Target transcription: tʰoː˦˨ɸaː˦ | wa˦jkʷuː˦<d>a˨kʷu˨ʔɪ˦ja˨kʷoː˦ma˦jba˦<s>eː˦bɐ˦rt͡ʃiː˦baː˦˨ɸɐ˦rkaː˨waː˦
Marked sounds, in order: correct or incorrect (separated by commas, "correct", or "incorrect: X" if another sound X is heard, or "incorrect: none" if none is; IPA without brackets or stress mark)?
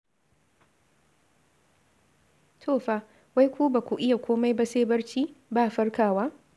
incorrect: b, correct